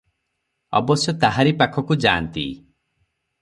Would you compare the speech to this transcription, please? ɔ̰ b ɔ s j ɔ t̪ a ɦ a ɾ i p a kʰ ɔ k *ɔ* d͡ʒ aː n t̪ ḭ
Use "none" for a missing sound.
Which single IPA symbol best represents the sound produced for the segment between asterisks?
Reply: u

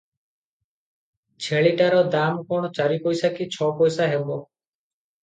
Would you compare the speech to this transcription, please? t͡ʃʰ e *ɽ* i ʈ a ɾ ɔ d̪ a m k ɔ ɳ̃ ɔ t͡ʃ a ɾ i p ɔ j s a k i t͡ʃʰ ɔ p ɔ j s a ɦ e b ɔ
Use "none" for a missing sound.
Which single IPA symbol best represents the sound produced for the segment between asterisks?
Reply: ɭ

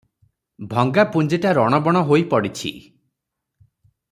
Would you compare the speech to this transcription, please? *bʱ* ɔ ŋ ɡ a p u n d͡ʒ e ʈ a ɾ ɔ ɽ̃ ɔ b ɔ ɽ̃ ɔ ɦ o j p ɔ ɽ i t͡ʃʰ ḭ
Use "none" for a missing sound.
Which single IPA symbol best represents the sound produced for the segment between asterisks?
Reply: bʱ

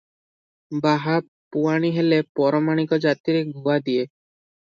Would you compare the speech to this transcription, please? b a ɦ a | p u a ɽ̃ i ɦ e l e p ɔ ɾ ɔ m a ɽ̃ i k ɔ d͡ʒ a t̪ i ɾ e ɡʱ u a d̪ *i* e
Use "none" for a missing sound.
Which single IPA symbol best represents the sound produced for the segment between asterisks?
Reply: i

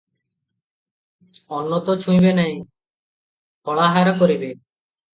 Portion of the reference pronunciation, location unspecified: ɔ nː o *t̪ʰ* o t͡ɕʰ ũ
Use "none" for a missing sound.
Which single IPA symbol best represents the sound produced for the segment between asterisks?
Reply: t̪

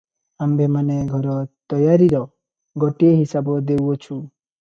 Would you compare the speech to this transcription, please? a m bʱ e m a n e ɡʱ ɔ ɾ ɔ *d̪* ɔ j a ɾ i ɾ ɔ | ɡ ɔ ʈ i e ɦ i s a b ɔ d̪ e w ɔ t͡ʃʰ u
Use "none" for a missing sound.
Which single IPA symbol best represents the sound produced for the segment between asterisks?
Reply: t̪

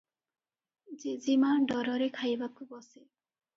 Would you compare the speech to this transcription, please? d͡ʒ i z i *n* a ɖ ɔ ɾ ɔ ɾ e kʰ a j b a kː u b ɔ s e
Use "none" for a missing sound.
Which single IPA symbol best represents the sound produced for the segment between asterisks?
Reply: m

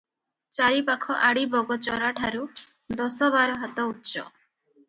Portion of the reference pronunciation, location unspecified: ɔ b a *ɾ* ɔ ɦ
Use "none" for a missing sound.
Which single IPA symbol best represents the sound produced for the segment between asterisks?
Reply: ɾ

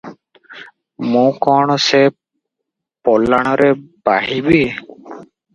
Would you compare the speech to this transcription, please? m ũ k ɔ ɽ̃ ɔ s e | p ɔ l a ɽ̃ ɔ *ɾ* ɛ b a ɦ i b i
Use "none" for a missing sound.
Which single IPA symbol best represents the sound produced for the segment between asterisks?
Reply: ɾ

